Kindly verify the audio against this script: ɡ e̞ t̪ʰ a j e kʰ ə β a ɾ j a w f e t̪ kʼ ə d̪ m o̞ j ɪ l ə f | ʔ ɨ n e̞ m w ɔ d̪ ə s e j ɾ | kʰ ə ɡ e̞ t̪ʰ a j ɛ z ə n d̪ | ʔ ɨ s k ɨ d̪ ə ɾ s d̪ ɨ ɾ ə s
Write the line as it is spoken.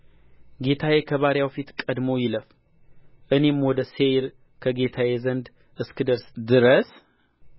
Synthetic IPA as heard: ɡ e̞ t̪ʰ a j e kʰ ə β a ɾ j a w f i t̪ kʼ ə d̪ m o̞ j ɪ l ə f | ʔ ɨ n e̞ m w ɔ d̪ ə s e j ɾ | kʰ ə ɡ e̞ t̪ʰ a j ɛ z ə n d̪ | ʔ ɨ s k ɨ d̪ ə ɾ s d̪ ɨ ɾ ə s